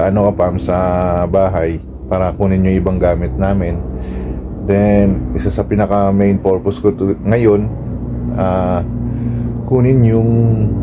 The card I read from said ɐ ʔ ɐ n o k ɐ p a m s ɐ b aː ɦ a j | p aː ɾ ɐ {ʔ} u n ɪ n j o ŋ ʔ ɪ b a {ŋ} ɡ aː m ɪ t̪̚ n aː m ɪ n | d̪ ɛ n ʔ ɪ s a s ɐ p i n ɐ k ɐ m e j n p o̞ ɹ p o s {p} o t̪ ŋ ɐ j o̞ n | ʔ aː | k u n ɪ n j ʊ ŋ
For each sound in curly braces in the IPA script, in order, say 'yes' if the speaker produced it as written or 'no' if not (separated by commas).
no, yes, no